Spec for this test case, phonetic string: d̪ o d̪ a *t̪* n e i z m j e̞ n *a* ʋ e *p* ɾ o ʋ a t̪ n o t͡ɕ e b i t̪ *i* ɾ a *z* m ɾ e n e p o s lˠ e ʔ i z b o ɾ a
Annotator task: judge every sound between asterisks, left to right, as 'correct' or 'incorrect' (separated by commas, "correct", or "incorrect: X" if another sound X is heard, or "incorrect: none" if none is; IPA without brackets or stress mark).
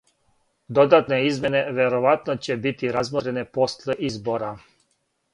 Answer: correct, incorrect: e, incorrect: none, correct, correct